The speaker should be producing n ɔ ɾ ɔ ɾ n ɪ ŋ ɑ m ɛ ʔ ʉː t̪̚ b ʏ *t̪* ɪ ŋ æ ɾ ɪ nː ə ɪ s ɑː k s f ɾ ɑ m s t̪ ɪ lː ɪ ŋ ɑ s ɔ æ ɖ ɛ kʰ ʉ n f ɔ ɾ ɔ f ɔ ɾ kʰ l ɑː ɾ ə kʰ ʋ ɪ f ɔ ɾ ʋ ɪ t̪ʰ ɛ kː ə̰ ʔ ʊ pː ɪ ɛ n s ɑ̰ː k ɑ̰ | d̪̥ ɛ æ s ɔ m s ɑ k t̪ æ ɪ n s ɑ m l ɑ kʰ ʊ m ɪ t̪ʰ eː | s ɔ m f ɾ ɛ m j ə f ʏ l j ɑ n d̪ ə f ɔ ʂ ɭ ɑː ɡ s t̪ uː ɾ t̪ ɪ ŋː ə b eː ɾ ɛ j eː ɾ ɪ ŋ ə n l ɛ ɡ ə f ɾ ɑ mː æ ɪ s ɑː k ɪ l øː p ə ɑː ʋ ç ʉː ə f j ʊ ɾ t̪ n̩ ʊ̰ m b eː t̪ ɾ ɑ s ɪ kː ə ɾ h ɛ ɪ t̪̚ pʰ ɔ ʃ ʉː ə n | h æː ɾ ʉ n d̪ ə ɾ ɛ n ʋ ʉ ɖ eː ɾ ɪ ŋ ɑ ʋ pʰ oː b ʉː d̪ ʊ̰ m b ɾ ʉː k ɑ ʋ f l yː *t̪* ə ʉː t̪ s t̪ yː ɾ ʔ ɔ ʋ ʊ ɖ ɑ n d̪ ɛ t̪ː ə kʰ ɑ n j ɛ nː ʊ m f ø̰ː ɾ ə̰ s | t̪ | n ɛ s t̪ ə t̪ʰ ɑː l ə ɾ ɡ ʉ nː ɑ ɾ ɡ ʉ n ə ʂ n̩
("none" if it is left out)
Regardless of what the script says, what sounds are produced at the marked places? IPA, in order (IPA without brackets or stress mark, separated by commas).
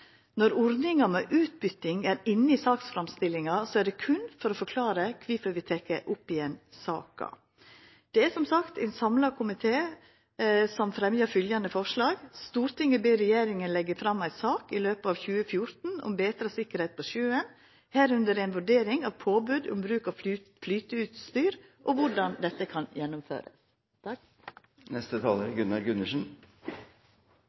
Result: t̪, t̪